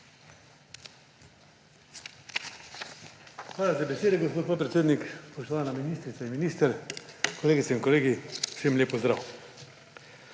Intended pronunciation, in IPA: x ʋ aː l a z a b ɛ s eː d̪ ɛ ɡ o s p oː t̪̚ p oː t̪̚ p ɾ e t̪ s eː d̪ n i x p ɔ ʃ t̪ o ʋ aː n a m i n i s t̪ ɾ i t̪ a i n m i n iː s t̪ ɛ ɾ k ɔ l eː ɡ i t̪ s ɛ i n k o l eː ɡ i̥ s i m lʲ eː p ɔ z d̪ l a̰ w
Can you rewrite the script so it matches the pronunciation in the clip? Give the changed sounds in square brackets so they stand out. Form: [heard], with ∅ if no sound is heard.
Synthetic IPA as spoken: x ʋ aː l a z a b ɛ s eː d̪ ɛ ɡ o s p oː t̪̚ p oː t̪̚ p ɾ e t̪ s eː d̪ n i [k] p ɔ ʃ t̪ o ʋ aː n a m i n i s t̪ ɾ i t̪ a i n m i n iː s t̪ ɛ ɾ k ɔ l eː ɡ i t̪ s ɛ i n k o l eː ɡ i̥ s [e] m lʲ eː p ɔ z d̪ [ɾ] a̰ w